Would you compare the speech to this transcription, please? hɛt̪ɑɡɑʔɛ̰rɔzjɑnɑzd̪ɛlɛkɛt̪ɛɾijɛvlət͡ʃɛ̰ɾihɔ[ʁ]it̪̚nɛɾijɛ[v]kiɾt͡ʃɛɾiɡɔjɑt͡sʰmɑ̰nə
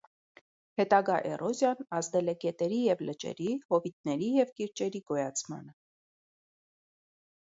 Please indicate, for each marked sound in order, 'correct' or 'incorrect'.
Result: incorrect: v, correct

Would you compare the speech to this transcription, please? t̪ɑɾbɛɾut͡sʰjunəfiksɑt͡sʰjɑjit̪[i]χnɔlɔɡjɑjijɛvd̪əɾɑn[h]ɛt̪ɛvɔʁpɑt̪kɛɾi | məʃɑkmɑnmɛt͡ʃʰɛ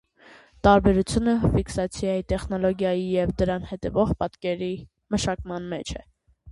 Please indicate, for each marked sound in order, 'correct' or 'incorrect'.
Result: incorrect: ɛ, correct

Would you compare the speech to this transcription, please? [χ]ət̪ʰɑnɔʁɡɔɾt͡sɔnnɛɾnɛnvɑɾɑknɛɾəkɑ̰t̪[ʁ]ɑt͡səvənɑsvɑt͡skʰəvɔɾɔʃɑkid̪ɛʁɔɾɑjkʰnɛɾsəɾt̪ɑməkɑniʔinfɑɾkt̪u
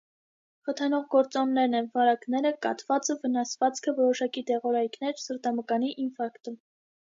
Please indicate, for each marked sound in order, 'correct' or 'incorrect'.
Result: correct, incorrect: v

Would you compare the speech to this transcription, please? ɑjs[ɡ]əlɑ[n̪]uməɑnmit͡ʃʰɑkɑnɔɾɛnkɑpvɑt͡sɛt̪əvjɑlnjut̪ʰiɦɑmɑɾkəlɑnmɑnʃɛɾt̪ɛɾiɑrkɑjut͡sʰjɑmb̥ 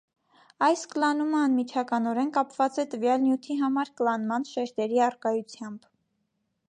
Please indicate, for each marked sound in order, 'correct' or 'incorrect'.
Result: incorrect: k, correct

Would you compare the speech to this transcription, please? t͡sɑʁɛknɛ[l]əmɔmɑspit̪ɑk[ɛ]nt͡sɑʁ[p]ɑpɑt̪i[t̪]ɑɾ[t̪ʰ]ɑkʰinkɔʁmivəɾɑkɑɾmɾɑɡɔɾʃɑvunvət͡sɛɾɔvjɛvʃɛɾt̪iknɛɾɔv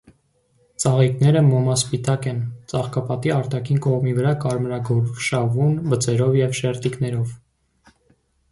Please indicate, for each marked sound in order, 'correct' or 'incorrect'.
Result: incorrect: ɾ, correct, incorrect: k, incorrect: none, incorrect: t̪

